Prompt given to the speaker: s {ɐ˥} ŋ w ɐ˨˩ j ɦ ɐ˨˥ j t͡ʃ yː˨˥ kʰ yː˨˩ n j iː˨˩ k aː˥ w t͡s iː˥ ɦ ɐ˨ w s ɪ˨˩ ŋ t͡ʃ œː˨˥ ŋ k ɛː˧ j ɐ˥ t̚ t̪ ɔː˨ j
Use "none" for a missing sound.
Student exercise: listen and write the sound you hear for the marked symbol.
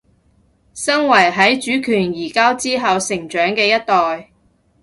ɐ˥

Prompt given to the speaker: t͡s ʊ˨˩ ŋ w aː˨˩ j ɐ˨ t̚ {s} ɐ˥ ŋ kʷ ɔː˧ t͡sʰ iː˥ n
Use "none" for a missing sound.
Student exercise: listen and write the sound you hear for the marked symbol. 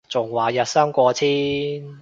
s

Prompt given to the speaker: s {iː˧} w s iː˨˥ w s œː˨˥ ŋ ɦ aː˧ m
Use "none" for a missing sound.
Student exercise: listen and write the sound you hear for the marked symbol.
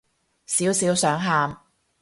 iː˨˥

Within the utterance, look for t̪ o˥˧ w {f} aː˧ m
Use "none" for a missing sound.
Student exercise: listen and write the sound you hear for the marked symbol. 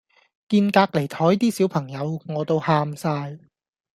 h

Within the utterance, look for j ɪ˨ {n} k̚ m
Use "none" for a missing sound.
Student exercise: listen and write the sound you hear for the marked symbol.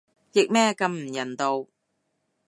none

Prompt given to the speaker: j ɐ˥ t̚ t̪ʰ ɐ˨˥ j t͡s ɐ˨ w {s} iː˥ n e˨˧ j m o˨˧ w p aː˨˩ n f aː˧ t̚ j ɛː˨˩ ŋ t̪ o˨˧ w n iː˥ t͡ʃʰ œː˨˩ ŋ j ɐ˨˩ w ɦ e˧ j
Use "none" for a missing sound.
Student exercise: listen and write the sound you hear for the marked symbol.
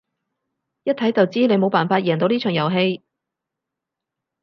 t͡s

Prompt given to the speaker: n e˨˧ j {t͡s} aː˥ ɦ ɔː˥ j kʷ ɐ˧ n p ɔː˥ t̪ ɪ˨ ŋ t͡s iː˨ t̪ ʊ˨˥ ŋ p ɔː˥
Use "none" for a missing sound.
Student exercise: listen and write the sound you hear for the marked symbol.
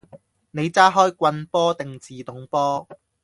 t͡s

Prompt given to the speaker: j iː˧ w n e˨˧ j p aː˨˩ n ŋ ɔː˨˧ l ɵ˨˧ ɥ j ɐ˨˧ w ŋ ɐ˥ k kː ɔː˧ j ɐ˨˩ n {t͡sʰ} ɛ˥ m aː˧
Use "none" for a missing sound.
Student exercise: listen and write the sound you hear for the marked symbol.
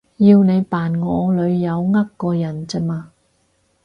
t͡s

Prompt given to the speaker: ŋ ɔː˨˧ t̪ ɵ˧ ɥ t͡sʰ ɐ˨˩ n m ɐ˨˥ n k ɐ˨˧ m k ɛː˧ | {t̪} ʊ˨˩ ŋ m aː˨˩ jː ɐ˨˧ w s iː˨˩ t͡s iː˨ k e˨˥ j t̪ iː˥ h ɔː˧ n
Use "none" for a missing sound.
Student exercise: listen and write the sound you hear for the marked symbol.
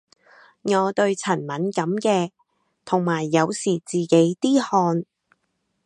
t̪ʰ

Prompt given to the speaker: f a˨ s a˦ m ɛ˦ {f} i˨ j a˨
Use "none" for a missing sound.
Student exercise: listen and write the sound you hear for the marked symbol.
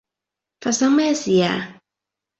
s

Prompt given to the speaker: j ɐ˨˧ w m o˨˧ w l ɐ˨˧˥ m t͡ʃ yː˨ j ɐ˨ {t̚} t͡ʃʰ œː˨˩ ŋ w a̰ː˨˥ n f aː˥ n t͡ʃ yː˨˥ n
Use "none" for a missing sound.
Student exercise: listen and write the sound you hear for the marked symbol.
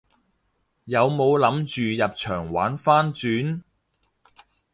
p̚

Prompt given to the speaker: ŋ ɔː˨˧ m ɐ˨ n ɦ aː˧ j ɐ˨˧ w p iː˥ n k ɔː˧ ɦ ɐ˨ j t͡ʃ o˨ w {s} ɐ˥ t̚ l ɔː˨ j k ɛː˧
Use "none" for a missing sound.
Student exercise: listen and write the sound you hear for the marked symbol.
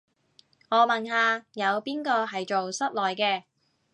s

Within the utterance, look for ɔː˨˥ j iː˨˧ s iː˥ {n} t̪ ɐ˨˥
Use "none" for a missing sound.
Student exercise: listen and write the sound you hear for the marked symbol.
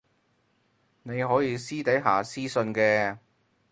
none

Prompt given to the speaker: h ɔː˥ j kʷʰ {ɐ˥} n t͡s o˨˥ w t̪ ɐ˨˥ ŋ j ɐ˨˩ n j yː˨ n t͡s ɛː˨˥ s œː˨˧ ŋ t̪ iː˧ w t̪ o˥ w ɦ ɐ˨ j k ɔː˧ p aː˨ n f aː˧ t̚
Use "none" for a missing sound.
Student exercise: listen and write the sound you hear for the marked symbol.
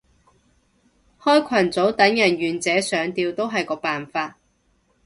ɐ˨˩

